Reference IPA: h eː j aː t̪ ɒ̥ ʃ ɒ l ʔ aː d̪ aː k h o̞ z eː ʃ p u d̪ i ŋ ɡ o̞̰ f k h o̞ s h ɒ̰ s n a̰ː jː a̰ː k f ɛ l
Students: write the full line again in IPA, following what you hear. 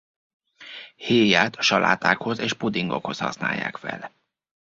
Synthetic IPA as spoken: h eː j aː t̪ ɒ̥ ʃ ɒ l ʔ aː t̪ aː k h o̞ z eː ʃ p u d̪ i ŋ ɡ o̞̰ k h o̞ s h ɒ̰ s n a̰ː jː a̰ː k f ɛ l